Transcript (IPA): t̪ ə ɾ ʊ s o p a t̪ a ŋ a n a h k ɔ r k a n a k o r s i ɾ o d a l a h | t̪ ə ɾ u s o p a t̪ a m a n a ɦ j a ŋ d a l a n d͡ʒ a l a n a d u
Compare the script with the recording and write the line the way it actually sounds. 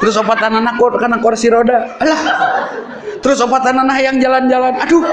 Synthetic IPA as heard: t̪ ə ɾ ʊ s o p a t̪ a n a n a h k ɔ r k a n a k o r s i ɾ o d a l a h | t̪ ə ɾ ʊ s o p a t̪ a n a n a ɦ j a ŋ d͡ʒ a l a n d͡ʒ a l a n a d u